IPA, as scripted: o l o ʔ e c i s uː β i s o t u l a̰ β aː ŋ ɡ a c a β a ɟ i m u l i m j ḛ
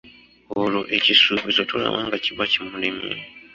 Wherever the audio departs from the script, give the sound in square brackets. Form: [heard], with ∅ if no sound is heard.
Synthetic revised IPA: o l o ʔ e c i s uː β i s o t u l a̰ β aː ŋ ɡ a c [i] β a [c] i m u l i m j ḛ